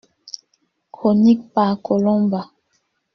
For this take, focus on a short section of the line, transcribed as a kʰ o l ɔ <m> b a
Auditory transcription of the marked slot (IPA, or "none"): m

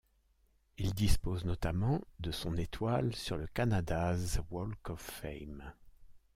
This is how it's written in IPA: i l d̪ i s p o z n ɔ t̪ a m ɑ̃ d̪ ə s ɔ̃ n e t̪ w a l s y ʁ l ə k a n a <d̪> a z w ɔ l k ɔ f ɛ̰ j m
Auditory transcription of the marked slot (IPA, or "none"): d̪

